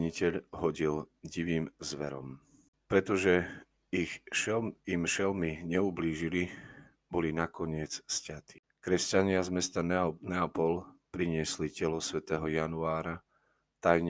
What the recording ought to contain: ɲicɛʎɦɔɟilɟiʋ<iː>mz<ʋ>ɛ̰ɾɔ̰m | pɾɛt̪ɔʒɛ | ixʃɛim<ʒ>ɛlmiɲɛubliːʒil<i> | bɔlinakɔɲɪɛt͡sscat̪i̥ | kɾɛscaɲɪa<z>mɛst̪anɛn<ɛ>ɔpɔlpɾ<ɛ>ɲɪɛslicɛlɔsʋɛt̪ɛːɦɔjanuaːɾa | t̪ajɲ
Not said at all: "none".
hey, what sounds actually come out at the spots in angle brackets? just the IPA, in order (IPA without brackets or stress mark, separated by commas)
iː, ʋ, ʃ, i, z, ɛ, i